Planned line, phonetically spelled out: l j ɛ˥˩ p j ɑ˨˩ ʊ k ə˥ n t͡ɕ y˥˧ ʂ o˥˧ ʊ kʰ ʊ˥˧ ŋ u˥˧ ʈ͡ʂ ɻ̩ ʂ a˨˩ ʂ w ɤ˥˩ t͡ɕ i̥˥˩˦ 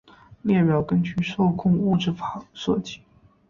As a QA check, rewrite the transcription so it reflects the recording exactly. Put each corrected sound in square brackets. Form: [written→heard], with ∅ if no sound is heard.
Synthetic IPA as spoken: l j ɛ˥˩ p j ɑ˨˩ ʊ k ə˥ n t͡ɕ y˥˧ ʂ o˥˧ ʊ kʰ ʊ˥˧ ŋ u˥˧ ʈ͡ʂ ɻ̩ [ʂ→f] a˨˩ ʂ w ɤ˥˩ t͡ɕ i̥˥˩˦

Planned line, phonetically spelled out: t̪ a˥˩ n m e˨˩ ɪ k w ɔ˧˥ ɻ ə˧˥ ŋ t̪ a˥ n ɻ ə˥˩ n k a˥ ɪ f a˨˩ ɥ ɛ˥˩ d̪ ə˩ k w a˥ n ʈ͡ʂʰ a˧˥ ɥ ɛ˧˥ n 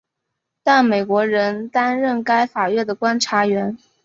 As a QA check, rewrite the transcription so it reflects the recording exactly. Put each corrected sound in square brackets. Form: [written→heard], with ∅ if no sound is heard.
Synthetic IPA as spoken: t̪ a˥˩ n m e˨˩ ɪ k w ɔ˧˥ ɻ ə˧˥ [ŋ→n] t̪ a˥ n ɻ ə˥˩ n k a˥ ɪ f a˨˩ ɥ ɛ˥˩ d̪ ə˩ k w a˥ n ʈ͡ʂʰ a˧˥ ɥ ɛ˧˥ n

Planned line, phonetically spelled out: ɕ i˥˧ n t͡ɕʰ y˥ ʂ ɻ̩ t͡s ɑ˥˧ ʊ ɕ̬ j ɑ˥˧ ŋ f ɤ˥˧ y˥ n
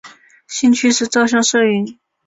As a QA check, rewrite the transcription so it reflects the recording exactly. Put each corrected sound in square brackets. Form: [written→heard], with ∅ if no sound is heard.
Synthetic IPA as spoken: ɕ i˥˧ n t͡ɕʰ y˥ ʂ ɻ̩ t͡s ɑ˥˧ ʊ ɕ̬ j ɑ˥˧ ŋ [f→ʂ] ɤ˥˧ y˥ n

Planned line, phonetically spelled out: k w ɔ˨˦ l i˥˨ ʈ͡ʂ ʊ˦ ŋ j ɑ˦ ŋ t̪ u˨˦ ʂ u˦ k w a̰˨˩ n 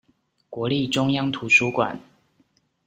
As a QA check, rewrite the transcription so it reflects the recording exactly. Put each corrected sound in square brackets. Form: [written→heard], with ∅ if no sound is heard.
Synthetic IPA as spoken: k w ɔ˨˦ l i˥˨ ʈ͡ʂ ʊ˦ ŋ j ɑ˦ ŋ [t̪→t̪ʰ] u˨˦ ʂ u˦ k w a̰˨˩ n

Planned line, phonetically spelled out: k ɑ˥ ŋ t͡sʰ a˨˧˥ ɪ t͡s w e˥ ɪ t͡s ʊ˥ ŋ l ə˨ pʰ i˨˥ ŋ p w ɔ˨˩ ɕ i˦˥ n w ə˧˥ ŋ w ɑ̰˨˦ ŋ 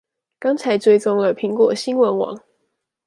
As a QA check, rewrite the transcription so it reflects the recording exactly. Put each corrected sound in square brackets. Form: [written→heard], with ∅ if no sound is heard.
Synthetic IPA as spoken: k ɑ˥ ŋ t͡sʰ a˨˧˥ ɪ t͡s w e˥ ɪ t͡s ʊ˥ ŋ l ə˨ pʰ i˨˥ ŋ [p→k] w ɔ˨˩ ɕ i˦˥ n w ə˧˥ [ŋ→n] w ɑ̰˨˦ ŋ

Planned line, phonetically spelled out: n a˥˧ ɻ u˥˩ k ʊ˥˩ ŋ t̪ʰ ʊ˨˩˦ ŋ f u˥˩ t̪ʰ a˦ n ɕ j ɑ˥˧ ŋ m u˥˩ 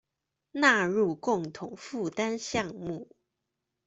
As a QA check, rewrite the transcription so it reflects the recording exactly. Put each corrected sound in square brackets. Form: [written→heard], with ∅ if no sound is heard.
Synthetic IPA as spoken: n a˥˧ ɻ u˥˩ k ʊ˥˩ ŋ t̪ʰ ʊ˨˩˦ ŋ f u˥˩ [t̪ʰ→t̪] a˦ n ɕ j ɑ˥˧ ŋ m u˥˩

